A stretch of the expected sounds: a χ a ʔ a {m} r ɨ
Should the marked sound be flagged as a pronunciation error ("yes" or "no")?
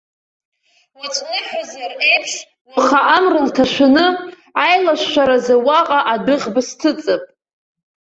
no